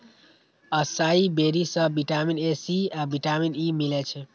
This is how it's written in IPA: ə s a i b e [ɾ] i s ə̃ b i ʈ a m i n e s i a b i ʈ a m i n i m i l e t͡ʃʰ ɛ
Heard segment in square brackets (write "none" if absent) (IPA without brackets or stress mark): ɾ